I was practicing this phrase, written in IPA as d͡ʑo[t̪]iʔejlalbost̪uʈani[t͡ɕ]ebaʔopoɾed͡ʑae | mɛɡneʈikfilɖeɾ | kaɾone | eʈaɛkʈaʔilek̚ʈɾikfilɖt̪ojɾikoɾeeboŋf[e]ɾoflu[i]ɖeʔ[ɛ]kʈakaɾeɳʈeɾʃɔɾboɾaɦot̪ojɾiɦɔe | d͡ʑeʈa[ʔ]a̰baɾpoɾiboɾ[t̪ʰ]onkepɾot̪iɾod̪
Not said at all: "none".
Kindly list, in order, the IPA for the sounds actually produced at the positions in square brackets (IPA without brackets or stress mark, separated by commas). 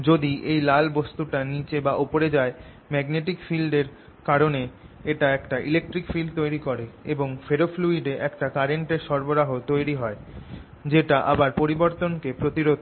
d̪, t͡ɕ, e, i, ɛ, ʔ, t̪